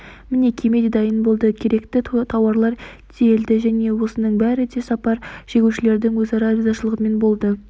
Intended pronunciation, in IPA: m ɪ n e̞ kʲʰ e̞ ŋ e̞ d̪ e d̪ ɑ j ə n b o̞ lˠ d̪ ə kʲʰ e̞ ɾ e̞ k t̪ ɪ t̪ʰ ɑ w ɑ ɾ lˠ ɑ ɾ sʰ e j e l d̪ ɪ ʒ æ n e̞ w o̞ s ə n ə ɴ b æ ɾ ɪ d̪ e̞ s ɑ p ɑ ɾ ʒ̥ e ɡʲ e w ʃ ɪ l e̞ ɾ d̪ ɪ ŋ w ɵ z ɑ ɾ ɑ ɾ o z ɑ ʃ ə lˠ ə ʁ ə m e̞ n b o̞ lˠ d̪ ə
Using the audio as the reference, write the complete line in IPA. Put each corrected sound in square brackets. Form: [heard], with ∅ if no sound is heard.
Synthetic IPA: m ɪ n e̞ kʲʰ e̞ [m] e̞ d̪ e d̪ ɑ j ə n b o̞ lˠ d̪ ə kʲʰ e̞ ɾ e̞ k t̪ ɪ t̪ʰ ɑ w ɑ ɾ lˠ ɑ ɾ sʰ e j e l d̪ ɪ ʒ æ n e̞ w o̞ s ə n ə ɴ b æ ɾ ɪ d̪ e̞ s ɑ p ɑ ɾ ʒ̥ e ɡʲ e w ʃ ɪ l e̞ ɾ d̪ ɪ ŋ w ɵ z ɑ ɾ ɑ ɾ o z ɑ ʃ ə lˠ ə ʁ ə m e̞ n b o̞ lˠ d̪ ə

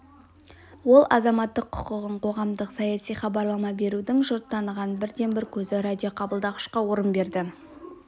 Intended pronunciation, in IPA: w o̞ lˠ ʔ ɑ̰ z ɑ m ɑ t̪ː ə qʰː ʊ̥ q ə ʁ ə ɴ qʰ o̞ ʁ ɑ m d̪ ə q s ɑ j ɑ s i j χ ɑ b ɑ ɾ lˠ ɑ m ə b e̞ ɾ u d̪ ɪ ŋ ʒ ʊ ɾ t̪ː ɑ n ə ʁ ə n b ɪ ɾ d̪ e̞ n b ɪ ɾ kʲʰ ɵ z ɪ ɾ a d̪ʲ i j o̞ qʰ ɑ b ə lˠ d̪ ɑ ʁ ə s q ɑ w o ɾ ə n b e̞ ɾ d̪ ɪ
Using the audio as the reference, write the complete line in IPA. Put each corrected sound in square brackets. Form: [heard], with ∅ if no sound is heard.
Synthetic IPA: w o̞ lˠ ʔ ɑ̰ z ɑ m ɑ t̪ː ə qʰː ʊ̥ q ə ʁ ə ɴ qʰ o̞ ʁ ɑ m d̪ ə q s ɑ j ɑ s i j χ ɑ b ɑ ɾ lˠ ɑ m [ɑ] b e̞ ɾ u d̪ ɪ ŋ ʒ ʊ ɾ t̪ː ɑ n ə ʁ [ɑ] n b ɪ ɾ d̪ e̞ n b ɪ ɾ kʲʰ ɵ z ɪ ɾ a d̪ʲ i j o̞ qʰ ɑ b ə lˠ d̪ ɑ ʁ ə [ʃ] q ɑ w o ɾ ə n b e̞ ɾ d̪ ɪ

